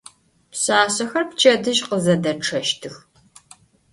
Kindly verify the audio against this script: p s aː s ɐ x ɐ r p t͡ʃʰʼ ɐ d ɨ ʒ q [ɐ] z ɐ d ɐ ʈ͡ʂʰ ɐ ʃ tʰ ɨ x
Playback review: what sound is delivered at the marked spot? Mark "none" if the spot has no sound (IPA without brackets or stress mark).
ə